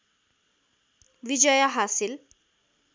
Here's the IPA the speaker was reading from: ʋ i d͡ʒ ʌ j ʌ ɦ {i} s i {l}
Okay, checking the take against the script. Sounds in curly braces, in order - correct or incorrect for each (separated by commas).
incorrect, correct